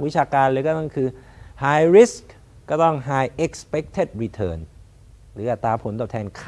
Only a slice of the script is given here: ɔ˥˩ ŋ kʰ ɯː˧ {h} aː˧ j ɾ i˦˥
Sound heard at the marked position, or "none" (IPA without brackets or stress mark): h